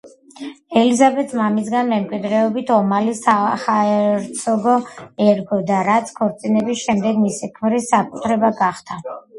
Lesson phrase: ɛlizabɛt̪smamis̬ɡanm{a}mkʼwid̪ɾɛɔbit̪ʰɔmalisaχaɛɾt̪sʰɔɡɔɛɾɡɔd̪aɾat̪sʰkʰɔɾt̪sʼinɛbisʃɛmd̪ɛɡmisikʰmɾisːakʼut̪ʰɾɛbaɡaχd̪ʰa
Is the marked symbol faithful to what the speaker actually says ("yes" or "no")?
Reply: no